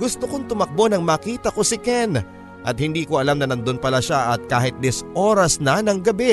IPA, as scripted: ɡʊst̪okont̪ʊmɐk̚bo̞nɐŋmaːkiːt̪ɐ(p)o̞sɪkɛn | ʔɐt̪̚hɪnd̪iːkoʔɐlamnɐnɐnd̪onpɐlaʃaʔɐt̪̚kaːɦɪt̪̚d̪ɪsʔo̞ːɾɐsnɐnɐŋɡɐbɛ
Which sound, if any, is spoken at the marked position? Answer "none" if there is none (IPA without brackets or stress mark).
k